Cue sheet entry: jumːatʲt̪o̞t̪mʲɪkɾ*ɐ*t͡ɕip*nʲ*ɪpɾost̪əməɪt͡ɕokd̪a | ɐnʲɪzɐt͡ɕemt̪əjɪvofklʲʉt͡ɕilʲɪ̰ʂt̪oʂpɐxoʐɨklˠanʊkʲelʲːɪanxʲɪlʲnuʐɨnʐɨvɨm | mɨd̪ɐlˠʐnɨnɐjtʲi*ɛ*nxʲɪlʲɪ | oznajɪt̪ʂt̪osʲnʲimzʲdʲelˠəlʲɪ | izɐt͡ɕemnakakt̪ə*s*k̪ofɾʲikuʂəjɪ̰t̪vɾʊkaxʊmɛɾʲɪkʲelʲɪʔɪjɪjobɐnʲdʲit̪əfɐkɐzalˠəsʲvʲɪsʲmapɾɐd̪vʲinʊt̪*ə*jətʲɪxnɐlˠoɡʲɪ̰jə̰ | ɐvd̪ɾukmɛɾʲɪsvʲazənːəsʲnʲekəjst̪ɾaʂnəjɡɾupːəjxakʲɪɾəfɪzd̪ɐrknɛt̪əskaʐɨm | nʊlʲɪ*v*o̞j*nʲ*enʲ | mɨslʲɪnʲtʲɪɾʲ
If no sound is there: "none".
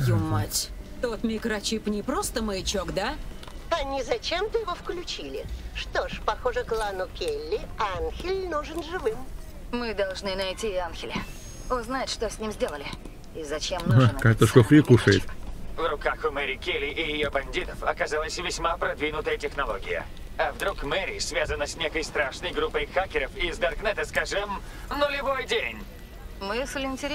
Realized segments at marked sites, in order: ɐ, nʲ, a, ʂ, ə, v, dʲ

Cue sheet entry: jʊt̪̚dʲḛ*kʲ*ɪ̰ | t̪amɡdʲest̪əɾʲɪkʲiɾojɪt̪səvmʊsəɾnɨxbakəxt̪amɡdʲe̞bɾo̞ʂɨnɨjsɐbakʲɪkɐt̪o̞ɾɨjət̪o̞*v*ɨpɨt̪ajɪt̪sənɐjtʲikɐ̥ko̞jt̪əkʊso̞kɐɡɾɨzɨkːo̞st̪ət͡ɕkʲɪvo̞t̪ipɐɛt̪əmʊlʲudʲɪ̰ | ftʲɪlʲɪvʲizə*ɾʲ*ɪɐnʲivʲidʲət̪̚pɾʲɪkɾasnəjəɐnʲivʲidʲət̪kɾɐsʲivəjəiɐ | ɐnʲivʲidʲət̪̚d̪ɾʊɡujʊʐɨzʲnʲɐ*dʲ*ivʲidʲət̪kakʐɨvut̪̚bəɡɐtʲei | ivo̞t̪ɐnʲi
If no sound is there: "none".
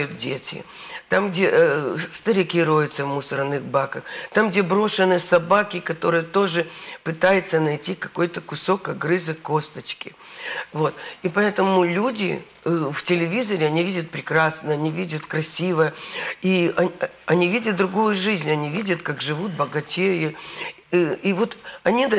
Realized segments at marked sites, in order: tʲ, ʐ, ɾʲ, nʲ

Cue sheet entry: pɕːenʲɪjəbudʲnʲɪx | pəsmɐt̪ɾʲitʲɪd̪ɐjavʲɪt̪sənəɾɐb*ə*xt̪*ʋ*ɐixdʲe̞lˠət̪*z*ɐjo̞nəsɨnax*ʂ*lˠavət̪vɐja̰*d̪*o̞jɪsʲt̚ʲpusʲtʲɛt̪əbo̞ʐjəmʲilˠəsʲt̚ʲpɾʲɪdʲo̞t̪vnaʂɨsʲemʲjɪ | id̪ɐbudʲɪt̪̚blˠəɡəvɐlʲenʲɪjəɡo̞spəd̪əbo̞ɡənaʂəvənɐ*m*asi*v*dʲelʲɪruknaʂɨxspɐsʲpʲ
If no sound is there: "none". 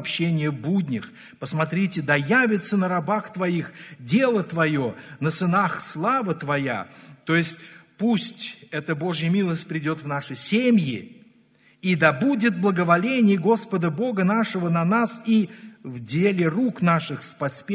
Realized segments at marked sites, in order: a, v, v, s, t̪, n, v

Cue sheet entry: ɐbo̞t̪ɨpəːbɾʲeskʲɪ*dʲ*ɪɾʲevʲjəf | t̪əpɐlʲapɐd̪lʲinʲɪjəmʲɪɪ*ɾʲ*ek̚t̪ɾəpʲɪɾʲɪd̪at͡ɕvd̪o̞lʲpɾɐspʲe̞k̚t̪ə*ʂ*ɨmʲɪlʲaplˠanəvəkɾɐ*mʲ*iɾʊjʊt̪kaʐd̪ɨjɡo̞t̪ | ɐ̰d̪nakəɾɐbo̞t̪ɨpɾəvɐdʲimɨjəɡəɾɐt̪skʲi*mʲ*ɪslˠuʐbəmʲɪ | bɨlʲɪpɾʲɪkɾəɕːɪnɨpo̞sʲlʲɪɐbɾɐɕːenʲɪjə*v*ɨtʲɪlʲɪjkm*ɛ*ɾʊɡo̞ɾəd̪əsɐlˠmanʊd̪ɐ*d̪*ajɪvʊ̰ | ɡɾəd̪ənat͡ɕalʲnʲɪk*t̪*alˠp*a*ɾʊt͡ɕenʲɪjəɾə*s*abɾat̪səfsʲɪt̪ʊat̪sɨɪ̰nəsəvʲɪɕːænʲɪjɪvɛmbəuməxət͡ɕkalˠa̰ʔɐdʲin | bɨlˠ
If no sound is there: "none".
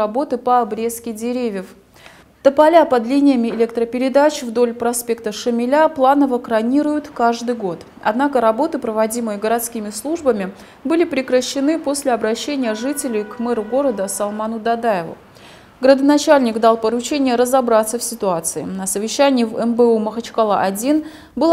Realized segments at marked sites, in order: dʲ, lʲ, ʂ, nʲ, mʲ, ʐ, ɛ, d̪, d̪, ə, z

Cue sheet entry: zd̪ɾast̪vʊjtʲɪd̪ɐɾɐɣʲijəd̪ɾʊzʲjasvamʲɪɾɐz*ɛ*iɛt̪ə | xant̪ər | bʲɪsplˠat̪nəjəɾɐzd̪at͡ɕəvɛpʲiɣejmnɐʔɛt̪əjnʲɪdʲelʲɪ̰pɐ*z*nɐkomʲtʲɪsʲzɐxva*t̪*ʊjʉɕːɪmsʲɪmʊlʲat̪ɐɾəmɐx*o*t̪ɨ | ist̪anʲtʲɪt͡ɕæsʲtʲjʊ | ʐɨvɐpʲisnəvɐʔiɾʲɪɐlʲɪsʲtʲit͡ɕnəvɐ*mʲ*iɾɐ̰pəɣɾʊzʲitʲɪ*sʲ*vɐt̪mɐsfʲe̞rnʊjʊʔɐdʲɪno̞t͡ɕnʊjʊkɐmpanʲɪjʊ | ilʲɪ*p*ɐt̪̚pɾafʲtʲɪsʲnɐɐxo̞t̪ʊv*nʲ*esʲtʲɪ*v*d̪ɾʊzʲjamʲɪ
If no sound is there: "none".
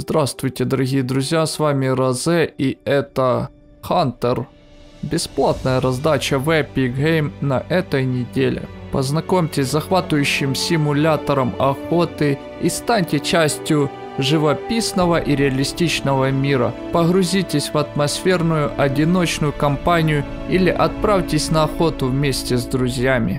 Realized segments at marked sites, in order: ɛ, z, t̪, o, mʲ, sʲ, ʔ, mʲ, z

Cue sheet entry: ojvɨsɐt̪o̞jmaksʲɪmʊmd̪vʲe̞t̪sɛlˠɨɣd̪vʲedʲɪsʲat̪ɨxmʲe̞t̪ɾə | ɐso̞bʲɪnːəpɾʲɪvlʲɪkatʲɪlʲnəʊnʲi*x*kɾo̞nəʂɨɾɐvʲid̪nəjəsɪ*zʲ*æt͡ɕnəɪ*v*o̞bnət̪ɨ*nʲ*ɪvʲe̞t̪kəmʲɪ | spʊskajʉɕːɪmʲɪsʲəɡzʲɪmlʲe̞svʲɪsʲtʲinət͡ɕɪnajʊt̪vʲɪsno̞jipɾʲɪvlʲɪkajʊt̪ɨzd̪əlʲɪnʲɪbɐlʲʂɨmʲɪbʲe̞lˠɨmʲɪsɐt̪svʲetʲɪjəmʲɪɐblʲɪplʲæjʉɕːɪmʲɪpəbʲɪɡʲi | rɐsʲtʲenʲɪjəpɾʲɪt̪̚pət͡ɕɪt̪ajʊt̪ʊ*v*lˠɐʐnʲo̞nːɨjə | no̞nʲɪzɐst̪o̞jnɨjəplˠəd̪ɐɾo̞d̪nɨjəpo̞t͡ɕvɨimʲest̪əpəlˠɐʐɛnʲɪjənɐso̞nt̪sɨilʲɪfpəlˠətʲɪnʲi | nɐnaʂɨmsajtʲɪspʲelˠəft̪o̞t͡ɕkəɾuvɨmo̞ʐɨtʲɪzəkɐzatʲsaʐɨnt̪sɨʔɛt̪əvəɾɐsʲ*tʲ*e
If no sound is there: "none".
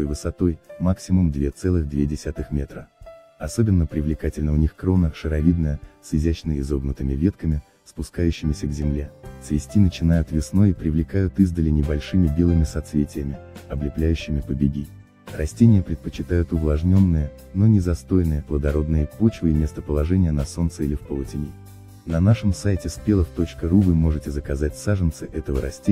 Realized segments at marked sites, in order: x, zʲ, z, mʲ, v, tʲ

